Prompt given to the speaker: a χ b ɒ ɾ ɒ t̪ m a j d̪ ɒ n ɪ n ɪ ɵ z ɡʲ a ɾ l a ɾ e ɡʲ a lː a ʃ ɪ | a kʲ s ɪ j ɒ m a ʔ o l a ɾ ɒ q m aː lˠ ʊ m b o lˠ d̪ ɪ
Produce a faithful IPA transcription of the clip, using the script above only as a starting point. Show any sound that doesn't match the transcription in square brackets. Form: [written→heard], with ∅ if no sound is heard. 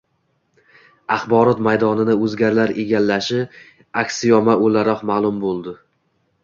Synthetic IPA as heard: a χ b ɒ ɾ ɒ t̪ m a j d̪ ɒ n ɪ n ɪ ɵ z ɡʲ a ɾ l a ɾ e ɡʲ a lː a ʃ ɪ | a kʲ s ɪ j ɒ m a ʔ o l a ɾ ɒ q m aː lˠ ʊ m b o lˠ d̪ ɪ

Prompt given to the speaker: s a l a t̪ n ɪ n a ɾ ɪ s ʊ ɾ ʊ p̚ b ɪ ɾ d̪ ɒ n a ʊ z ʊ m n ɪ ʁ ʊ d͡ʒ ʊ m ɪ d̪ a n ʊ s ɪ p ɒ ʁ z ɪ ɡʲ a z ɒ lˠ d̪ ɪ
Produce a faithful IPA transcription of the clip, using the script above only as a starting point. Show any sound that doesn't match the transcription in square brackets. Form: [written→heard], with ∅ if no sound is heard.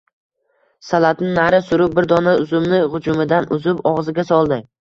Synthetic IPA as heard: s a l a t̪ n ɪ n a ɾ ɪ s ʊ ɾ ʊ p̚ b ɪ ɾ d̪ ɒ n a ʊ z ʊ m n ɪ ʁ ʊ d͡ʒ ʊ m ɪ d̪ a n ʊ [s→z] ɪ p ɒ ʁ z ɪ ɡʲ a [z→s] ɒ lˠ d̪ ɪ

